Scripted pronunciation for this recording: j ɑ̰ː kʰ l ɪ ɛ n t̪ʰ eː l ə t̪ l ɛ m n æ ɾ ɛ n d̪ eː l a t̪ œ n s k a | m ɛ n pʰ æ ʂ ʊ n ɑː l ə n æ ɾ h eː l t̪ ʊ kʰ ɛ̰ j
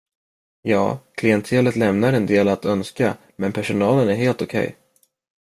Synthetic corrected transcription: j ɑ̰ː kʰ l ɪ ɛ n t̪ʰ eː l ə t̪ l ɛ m n a ɾ ɛ n d̪ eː l a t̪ œ n s k a | m ɛ n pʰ æ ʂ ʊ n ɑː l ə n æ ɾ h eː l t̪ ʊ kʰ ɛ̰ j